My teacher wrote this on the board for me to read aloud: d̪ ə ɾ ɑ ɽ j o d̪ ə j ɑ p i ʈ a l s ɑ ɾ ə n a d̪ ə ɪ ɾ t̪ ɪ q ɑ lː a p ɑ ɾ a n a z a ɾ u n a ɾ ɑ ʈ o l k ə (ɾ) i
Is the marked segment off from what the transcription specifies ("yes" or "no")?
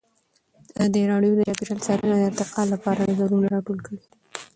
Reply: yes